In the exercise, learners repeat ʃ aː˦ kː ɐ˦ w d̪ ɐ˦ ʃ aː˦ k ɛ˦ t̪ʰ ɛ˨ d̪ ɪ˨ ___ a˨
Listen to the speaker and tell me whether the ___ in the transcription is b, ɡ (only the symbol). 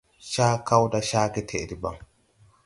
b